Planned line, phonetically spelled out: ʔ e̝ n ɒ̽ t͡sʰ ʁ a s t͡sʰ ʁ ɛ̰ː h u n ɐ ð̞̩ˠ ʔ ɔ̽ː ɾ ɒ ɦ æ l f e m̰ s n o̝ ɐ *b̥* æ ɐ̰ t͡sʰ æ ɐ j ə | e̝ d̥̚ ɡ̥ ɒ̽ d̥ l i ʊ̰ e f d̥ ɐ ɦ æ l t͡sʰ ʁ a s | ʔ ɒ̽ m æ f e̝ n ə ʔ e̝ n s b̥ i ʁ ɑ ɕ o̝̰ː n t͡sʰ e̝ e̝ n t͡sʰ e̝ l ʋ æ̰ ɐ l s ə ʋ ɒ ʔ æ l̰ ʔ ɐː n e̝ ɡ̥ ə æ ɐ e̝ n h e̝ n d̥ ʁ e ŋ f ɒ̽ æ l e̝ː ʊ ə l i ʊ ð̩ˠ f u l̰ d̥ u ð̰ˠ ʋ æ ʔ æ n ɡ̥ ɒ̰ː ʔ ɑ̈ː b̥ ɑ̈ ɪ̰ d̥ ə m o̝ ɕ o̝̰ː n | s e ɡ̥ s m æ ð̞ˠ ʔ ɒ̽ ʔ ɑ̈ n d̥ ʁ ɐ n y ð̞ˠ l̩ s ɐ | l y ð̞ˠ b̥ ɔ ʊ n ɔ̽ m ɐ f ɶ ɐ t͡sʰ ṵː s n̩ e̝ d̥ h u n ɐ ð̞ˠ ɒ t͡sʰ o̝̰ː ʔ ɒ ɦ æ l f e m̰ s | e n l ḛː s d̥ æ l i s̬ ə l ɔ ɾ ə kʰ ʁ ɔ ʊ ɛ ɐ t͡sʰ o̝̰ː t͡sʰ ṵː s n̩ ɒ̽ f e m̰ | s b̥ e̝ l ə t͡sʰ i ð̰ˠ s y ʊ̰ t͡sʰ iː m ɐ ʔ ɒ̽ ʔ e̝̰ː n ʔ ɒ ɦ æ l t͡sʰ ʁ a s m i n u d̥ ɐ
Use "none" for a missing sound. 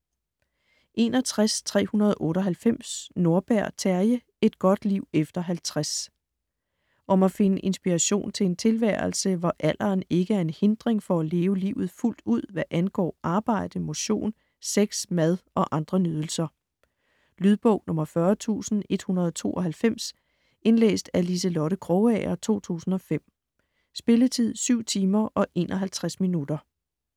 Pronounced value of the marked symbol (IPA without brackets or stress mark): b̥